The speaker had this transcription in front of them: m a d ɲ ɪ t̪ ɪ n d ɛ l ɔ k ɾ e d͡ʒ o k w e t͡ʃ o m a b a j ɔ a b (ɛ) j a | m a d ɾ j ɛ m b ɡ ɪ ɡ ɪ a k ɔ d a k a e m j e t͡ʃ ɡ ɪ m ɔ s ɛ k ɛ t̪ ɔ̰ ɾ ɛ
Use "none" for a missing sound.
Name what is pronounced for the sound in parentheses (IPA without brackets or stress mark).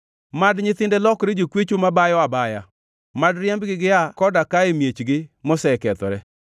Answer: a